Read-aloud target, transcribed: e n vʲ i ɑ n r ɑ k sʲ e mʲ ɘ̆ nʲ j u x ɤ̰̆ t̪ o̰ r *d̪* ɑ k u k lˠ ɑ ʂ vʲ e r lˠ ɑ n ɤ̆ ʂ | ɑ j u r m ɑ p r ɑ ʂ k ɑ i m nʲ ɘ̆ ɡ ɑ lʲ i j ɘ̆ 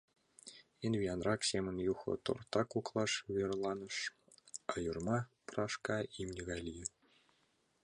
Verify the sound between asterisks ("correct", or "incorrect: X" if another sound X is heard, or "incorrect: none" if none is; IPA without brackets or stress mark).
incorrect: t̪